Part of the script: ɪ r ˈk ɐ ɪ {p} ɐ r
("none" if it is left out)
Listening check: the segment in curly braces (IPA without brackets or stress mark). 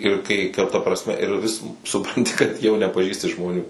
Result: k